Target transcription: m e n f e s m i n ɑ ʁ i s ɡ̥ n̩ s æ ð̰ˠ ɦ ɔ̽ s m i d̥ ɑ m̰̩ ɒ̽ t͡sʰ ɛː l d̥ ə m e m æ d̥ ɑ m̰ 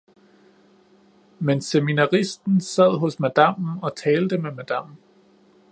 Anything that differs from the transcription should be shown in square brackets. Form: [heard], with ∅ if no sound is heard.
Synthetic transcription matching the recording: m e n [s] e [∅] m i n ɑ ʁ i s [d̥] n̩ s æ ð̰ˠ ɦ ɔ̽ s m [æ] d̥ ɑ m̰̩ ɒ̽ t͡sʰ ɛː l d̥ ə m e m æ d̥ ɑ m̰